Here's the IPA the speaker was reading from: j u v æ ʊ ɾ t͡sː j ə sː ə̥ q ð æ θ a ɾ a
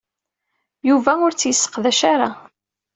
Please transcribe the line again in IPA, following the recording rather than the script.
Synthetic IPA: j u v æ ʊ ɾ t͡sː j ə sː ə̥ q ð æ ʃ a ɾ a